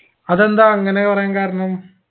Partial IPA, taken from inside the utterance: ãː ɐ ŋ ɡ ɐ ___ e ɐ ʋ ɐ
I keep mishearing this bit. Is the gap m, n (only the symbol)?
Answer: n